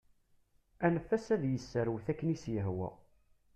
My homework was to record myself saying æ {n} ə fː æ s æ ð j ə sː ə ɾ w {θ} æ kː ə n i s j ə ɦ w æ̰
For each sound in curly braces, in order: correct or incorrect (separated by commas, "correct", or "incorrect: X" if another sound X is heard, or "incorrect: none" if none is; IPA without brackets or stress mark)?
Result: correct, correct